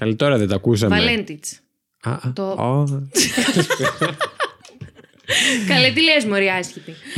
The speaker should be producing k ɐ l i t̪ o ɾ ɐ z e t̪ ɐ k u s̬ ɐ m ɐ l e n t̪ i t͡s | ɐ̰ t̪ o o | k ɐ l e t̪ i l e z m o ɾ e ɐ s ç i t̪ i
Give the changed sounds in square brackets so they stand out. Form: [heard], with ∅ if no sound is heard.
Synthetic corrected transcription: k ɐ l i t̪ o ɾ ɐ [ð] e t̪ ɐ k u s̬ ɐ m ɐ l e n t̪ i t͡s | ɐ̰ t̪ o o | k ɐ l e t̪ i l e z m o ɾ [i] ɐ s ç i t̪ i